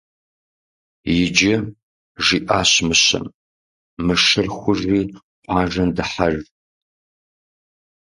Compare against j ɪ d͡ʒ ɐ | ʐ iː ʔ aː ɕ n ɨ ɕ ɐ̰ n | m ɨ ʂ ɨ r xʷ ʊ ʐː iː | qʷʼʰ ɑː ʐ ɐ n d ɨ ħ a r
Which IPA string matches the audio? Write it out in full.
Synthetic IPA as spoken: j ɪ d͡ʒ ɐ | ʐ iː ʔ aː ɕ m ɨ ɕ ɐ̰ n | m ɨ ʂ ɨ r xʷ ʊ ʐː iː | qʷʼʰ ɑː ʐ ɐ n d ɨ ħ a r